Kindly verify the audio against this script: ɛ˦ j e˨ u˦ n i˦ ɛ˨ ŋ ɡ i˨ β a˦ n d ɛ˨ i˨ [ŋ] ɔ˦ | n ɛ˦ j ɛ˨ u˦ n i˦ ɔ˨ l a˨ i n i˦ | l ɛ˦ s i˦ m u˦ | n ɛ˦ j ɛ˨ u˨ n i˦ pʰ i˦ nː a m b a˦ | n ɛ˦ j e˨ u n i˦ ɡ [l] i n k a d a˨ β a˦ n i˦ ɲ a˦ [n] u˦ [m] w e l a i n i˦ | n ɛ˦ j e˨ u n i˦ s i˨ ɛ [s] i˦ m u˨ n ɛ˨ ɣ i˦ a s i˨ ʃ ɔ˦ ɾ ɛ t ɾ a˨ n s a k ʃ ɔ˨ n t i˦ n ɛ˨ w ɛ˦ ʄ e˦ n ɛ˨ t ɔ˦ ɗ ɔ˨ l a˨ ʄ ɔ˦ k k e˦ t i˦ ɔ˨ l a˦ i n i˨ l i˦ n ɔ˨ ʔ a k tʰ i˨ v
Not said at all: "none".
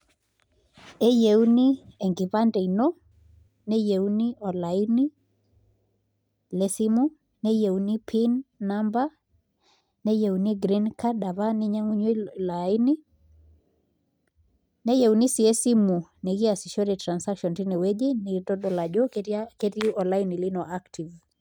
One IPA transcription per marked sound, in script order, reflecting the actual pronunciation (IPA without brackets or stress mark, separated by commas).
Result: n, ɾ, ŋ, ɲ, s